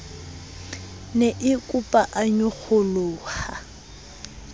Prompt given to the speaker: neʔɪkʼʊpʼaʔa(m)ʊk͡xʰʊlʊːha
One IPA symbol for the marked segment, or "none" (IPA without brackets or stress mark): ɲ